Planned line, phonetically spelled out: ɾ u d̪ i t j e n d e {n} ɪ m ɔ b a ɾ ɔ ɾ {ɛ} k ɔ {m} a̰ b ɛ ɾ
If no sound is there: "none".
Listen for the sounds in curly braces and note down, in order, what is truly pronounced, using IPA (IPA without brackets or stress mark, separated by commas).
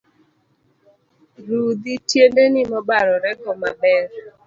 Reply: n, ɛ, m